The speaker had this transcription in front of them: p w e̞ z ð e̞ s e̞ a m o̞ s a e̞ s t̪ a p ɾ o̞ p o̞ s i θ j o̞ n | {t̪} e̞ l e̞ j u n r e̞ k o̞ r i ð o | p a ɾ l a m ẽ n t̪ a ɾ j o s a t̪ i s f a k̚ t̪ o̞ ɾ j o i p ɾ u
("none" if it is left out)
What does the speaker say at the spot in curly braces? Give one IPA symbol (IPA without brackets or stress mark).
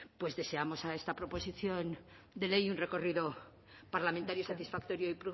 d̪